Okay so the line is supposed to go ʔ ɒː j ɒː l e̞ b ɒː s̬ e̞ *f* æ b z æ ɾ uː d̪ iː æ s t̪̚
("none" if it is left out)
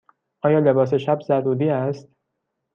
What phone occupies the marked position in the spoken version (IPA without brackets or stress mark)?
ʃ